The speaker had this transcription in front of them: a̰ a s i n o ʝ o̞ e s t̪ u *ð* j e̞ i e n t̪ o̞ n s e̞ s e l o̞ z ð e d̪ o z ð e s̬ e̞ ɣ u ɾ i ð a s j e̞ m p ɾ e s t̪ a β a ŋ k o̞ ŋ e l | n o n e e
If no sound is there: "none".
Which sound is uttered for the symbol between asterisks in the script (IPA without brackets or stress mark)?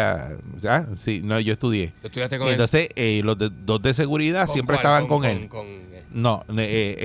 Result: ð